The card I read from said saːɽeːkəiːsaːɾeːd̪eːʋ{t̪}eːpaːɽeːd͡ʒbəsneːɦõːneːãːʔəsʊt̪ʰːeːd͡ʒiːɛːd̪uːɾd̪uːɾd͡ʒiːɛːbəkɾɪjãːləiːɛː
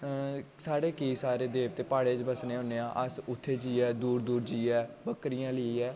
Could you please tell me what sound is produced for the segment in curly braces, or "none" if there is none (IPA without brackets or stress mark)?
t̪